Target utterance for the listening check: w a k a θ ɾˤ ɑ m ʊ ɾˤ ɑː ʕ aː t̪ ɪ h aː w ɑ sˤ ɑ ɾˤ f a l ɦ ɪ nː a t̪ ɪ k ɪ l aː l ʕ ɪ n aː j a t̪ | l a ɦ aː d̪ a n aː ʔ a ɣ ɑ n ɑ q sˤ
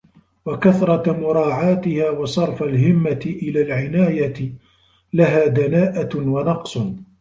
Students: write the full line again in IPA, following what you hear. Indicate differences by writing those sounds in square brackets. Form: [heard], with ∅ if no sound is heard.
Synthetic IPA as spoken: w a k a θ ɾˤ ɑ m ʊ ɾˤ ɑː ʕ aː t̪ ɪ h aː w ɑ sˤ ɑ ɾˤ f a l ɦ ɪ [mː] a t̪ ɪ [ʔ] ɪ l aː l ʕ ɪ n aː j a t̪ | l a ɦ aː d̪ a n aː ʔ a [w] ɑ n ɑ q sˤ